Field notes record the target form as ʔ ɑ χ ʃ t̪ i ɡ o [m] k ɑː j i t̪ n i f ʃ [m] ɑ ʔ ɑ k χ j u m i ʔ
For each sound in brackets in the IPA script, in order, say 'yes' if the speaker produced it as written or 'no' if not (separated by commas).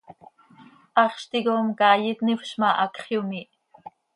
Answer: yes, yes